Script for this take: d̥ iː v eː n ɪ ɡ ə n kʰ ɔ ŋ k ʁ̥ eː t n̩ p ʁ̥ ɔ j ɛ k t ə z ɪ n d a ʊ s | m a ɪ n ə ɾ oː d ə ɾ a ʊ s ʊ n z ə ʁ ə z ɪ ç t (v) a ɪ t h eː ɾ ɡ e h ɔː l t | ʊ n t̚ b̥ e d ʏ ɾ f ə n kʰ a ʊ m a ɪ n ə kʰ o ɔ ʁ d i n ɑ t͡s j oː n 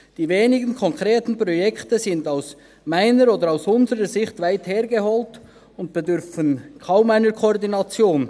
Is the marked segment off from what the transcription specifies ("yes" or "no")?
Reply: no